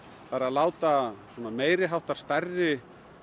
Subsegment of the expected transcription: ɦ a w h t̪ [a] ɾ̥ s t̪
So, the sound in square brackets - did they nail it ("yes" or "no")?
yes